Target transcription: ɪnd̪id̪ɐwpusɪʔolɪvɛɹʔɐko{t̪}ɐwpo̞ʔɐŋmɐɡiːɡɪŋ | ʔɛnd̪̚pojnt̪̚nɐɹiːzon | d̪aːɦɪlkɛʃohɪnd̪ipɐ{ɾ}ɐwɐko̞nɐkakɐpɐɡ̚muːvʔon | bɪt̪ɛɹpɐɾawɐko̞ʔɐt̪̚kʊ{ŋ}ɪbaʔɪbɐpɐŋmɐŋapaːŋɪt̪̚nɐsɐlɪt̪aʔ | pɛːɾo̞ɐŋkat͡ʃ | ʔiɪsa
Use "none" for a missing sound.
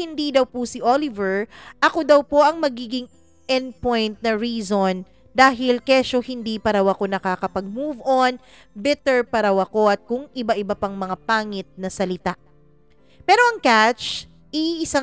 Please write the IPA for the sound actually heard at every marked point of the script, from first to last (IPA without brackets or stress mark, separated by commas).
d̪, ɾ, ŋ